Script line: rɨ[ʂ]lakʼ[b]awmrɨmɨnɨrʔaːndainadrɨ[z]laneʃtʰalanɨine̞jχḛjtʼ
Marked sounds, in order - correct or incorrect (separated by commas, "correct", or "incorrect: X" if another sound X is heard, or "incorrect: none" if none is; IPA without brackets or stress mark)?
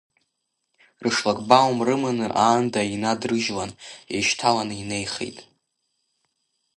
correct, correct, incorrect: ʒ